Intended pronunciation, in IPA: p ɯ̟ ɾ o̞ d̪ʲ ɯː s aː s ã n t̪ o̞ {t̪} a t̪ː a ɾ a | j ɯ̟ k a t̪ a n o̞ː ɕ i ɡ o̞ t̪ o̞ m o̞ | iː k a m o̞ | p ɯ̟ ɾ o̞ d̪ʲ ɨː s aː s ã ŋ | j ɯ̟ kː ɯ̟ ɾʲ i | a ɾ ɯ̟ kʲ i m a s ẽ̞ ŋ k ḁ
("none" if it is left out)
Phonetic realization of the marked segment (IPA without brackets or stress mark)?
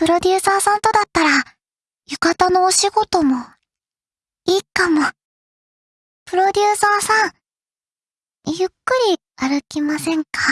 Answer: d̪